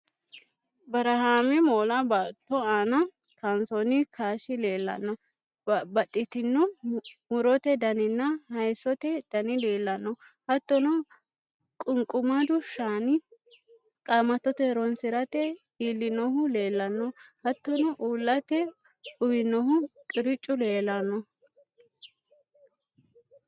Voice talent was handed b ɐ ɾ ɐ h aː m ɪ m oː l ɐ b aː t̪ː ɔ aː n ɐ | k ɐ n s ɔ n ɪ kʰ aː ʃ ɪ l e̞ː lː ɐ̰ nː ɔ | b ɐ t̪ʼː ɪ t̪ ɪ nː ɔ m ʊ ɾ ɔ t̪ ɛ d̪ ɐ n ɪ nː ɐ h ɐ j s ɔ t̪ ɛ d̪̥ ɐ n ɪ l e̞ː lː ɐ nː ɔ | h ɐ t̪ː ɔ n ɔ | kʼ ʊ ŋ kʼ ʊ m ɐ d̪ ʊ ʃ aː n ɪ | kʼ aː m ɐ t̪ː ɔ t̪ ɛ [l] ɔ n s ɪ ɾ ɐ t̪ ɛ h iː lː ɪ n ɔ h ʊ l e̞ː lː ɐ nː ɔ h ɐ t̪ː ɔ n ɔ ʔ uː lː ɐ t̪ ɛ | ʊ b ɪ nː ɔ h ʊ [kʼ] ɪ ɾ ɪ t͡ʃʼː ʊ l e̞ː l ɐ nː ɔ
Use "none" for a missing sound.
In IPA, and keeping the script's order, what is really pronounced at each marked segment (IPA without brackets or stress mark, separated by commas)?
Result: ɾ, kʼ